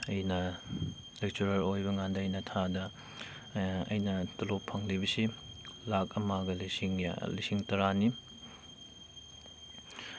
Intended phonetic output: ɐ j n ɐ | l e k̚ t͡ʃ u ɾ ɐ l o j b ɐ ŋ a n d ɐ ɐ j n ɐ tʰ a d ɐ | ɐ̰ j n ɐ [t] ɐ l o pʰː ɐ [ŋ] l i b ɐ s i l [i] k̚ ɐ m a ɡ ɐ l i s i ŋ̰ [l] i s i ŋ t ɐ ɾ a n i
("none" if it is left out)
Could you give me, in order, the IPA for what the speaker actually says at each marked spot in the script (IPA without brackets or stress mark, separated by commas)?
t, ŋ, a, l